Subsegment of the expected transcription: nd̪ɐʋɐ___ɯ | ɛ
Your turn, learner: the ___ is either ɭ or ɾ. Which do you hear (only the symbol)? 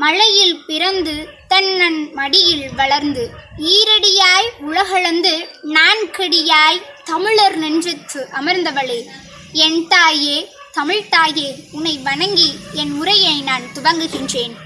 ɭ